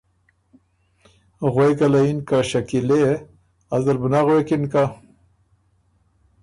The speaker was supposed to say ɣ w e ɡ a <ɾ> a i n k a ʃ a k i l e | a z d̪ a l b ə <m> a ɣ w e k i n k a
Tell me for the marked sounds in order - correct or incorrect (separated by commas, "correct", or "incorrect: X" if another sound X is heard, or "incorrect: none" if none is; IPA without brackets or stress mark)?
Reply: incorrect: l, incorrect: n